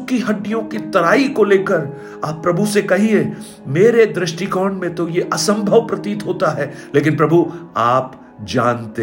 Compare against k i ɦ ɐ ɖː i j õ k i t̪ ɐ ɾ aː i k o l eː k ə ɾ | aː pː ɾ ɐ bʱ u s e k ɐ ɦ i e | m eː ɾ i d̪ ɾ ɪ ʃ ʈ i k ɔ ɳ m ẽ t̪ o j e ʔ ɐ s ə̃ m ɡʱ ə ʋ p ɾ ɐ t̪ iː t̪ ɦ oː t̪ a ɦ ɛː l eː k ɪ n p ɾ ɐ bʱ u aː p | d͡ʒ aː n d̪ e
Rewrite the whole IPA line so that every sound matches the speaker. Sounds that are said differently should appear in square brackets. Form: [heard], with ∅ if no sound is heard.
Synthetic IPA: k i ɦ ɐ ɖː i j õ k i t̪ ɐ ɾ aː i k o l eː k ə ɾ | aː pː ɾ ɐ bʱ u s e k ɐ ɦ i e | m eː ɾ [e] d̪ ɾ ɪ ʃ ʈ i k [ɔː] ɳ m ẽ t̪ o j e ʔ ɐ s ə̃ m [bʱ] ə ʋ p ɾ ɐ t̪ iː t̪ ɦ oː t̪ a ɦ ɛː l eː k ɪ n p ɾ ɐ bʱ u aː p | d͡ʒ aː n [t̪] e